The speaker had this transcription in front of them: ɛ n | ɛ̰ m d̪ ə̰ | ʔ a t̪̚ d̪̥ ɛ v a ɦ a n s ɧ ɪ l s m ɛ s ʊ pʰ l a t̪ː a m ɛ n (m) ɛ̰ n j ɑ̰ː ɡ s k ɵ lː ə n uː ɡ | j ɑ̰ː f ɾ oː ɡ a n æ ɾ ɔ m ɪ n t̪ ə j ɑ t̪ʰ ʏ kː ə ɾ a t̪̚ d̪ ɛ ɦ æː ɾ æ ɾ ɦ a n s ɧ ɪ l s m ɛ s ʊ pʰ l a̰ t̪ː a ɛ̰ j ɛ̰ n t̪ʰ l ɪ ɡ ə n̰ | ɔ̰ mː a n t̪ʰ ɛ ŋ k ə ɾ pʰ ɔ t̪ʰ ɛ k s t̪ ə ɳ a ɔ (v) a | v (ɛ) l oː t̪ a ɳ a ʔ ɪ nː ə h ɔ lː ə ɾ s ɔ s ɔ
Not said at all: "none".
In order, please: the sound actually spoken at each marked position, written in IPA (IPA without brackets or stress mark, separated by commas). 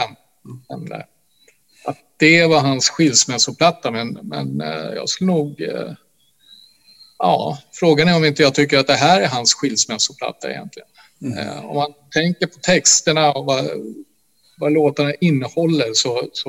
m, v, a